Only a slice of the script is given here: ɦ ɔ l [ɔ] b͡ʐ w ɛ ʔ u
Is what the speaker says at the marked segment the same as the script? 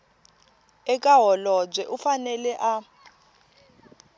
yes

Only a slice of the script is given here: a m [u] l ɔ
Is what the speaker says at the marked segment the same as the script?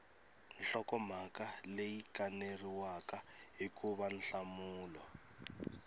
no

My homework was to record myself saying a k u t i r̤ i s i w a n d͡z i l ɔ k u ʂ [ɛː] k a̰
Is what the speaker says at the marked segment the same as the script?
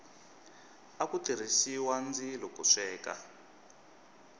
yes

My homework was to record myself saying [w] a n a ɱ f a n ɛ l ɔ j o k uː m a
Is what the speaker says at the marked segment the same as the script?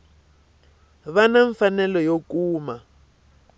no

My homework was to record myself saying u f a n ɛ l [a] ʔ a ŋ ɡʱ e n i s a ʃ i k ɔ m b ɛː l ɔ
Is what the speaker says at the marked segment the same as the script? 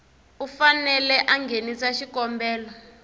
no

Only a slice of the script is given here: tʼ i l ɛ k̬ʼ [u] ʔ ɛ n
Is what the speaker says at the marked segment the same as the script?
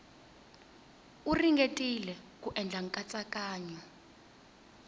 yes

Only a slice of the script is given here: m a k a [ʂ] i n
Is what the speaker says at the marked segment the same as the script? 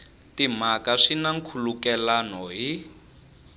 yes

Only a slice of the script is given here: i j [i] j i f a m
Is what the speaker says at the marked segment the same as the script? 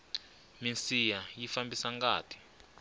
no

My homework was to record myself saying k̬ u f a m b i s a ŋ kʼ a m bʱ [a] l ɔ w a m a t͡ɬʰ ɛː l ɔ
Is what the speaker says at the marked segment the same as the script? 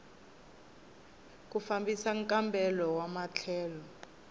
no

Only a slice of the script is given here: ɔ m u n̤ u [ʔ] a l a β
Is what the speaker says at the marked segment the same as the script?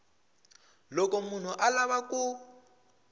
yes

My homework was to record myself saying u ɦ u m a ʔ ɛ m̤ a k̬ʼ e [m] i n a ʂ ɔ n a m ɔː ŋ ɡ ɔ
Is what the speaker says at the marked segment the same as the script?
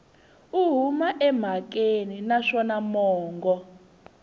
no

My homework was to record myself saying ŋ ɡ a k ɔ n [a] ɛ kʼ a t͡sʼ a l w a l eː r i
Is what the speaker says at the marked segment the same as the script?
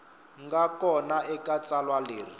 yes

